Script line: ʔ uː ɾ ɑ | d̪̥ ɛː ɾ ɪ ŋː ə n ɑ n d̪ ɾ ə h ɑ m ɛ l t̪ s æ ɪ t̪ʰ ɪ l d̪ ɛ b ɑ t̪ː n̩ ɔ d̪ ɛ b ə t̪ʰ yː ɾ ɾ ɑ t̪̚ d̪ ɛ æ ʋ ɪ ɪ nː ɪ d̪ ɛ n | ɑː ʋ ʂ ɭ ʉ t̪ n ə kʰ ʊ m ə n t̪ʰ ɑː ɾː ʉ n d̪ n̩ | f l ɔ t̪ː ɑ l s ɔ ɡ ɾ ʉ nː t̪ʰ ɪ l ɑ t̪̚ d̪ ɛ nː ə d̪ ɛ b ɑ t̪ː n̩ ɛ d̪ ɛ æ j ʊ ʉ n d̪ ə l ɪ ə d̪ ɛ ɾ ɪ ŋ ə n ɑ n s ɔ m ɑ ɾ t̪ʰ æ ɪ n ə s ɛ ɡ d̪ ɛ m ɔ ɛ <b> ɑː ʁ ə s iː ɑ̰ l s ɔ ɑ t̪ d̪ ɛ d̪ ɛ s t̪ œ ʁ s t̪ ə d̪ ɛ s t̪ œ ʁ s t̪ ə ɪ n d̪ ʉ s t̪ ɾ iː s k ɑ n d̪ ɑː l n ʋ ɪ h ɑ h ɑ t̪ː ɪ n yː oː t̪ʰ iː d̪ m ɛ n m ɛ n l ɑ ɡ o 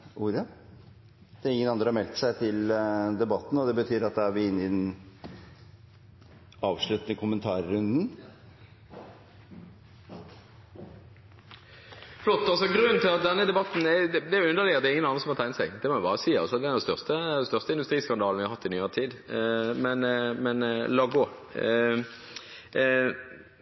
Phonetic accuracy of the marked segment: correct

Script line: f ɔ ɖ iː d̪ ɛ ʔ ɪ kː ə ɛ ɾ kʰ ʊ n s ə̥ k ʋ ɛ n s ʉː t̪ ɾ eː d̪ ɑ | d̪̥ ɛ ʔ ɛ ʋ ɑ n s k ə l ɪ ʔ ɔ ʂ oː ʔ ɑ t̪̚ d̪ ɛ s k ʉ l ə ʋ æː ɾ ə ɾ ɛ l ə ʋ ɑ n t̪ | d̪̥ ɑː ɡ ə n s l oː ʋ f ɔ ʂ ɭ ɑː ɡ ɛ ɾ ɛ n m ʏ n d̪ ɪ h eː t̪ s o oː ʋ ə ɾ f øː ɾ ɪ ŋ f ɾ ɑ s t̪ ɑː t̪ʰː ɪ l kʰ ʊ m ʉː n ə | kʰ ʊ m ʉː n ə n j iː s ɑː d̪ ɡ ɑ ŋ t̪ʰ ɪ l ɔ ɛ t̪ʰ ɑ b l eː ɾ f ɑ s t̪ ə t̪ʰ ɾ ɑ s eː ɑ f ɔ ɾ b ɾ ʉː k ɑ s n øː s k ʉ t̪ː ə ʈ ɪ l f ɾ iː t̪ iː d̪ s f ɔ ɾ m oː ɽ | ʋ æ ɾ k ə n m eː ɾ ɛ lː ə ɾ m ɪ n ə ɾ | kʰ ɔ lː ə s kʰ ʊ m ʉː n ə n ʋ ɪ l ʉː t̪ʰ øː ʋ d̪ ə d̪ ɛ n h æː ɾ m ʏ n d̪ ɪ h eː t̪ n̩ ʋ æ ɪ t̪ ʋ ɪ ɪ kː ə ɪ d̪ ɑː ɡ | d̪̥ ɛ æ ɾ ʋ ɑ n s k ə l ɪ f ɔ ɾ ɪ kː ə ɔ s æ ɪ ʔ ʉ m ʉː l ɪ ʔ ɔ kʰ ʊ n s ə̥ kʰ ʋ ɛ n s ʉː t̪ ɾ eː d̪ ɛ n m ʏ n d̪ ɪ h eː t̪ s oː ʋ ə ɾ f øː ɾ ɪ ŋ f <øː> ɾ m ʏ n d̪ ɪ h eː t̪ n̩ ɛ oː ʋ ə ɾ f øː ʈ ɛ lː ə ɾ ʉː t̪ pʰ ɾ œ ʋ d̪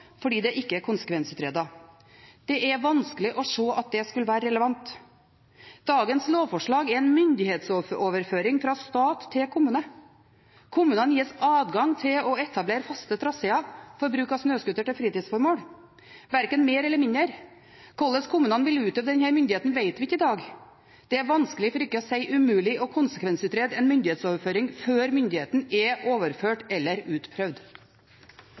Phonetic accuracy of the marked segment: correct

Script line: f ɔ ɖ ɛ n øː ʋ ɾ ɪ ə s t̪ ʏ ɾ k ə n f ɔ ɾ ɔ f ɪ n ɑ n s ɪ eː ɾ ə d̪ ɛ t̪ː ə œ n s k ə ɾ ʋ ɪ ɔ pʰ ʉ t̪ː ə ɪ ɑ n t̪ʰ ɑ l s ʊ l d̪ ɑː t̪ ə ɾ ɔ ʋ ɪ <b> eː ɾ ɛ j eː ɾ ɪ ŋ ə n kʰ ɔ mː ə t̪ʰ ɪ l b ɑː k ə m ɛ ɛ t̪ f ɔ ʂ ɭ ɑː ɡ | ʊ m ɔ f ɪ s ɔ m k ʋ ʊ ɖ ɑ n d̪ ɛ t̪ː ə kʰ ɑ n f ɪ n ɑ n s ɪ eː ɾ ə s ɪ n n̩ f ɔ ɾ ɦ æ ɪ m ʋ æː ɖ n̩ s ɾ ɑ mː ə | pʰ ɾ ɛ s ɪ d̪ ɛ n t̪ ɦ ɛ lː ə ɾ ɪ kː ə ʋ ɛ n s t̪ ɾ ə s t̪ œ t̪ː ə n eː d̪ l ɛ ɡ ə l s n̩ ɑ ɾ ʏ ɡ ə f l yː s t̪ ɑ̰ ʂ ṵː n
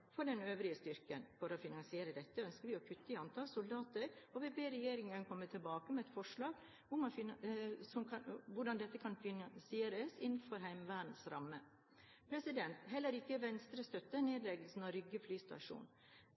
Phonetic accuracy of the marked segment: correct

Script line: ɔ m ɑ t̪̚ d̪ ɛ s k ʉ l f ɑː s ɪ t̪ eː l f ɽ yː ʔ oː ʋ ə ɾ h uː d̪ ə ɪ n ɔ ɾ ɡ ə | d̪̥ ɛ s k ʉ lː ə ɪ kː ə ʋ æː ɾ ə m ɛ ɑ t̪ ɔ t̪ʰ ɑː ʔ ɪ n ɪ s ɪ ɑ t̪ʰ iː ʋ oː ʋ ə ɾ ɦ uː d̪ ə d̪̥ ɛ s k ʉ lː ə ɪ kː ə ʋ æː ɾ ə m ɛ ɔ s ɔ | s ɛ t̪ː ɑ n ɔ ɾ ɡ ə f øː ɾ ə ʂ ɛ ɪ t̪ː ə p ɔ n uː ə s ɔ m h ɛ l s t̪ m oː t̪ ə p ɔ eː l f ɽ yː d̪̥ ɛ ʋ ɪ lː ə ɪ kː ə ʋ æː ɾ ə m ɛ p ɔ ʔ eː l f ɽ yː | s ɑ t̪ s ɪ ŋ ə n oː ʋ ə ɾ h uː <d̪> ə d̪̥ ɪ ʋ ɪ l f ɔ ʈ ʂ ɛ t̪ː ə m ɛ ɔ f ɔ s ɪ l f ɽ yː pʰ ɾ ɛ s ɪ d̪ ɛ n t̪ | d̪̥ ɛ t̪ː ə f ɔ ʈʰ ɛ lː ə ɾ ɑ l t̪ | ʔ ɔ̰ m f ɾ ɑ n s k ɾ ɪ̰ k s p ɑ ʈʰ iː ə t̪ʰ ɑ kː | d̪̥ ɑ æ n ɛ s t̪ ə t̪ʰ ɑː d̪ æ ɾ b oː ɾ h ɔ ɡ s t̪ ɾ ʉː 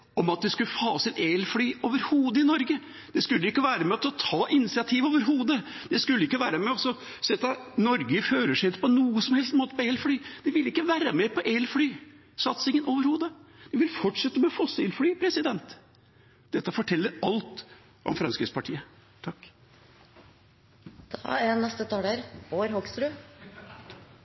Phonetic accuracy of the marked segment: correct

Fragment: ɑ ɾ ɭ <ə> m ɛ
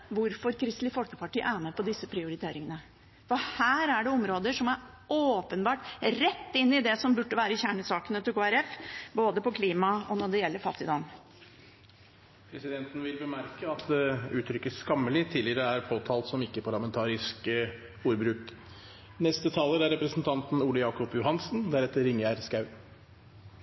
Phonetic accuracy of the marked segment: incorrect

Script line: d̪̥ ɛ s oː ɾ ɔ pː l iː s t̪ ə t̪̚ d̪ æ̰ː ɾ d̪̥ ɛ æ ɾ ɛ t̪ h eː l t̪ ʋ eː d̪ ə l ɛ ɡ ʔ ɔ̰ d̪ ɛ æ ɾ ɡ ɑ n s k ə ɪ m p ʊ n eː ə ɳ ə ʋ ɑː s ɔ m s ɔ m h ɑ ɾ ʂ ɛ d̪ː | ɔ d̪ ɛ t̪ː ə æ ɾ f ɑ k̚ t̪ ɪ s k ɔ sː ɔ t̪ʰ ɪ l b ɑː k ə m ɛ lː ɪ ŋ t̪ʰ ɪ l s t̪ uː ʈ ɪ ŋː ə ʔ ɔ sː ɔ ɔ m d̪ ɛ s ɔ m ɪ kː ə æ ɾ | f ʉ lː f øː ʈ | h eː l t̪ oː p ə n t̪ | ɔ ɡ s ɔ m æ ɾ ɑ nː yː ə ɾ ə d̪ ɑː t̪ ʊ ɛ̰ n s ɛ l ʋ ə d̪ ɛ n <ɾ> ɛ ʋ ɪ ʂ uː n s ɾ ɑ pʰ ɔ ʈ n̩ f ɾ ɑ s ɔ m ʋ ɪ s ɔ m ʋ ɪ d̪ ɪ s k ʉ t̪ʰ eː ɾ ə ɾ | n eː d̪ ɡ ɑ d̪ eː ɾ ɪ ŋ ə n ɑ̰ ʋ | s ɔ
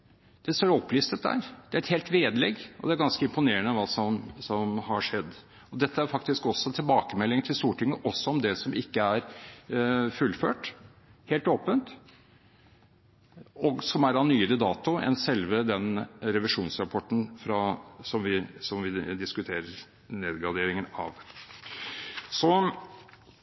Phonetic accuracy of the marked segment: correct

